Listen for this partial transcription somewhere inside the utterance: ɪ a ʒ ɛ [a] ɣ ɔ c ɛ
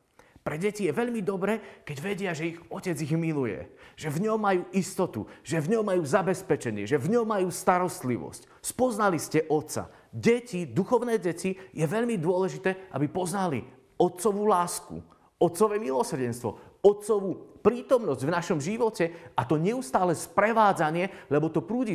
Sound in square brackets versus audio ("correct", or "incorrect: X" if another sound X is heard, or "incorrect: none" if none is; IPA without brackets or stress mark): incorrect: i